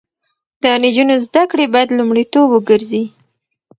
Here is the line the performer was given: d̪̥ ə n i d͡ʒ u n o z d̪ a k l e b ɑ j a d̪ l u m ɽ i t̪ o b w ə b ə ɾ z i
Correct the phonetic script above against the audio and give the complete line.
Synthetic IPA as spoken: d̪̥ ə n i d͡ʒ u n o z d̪ a k ɽ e b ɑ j a d̪ l u m ɽ i t̪ o b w ə ɡ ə ɾ z i